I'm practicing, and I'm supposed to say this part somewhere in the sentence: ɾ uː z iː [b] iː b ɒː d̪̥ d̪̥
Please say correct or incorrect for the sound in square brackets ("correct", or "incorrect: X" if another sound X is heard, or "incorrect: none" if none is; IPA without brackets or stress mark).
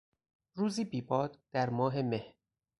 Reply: correct